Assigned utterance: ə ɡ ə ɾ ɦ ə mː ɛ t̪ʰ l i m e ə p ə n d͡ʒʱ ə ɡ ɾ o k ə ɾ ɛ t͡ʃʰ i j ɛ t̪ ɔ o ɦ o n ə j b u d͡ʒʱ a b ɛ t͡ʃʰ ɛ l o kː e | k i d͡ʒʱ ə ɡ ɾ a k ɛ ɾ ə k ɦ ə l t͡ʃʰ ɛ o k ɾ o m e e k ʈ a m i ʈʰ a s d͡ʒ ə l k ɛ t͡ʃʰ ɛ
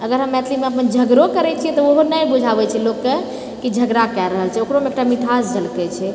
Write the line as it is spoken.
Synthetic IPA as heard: ə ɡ ə ɾ ɦ ə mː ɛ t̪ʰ l i m e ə p ə n d͡ʒʱ ə ɡ ɾ o k ə ɾ ɛ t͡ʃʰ i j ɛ t̪ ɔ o ɦ o n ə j b u d͡ʒʱ a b ɛ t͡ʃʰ ɛ l o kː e | k i d͡ʒʱ ə ɡ ɾ a k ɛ ɾ ə ɦ ə l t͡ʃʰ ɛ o k ɾ o m e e k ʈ a m i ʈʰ a s d͡ʒ ə l k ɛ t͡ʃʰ ɛ

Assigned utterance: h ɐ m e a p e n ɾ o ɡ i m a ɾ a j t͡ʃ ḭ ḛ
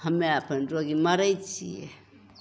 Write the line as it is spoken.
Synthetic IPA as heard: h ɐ m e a p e n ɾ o ɡ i m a ɾ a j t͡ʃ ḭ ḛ

